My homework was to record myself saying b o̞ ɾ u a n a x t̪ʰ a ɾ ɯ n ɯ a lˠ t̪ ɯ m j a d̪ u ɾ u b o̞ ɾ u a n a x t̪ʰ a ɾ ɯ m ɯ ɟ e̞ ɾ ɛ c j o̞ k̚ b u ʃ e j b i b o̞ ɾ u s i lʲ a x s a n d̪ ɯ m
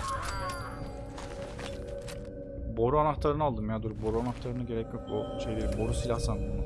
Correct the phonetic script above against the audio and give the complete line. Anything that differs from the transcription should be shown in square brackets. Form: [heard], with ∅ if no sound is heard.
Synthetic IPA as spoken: b o̞ ɾ u a n a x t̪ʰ a ɾ ɯ n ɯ a lˠ [d̪] ɯ m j a d̪ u ɾ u b o̞ ɾ u a n a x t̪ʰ a ɾ ɯ [n] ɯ ɟ e̞ ɾ ɛ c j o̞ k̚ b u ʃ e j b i b o̞ ɾ u s i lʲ a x s a n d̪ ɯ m